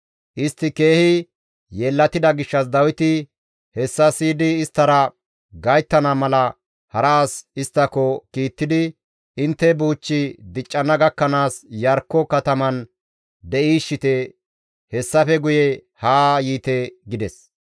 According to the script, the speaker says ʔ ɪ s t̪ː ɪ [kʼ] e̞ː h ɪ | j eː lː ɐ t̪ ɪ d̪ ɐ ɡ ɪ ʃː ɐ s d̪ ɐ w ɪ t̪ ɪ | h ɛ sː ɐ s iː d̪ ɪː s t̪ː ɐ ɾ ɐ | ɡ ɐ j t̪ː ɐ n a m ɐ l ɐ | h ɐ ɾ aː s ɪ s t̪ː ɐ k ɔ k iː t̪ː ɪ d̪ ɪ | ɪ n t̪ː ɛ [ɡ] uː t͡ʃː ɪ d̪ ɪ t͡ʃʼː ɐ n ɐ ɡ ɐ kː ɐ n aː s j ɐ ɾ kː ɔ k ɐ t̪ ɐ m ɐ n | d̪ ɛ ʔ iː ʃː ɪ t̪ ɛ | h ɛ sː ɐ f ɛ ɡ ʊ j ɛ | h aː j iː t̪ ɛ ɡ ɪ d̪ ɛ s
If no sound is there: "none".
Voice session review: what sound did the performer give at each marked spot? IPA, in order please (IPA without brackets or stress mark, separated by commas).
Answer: k, b